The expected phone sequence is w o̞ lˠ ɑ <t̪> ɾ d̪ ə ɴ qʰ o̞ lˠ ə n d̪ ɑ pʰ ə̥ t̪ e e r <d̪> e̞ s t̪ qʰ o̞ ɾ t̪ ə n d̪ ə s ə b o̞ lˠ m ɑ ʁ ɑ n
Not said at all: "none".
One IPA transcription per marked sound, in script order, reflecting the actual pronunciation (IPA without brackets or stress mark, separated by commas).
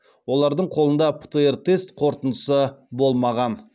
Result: none, t̪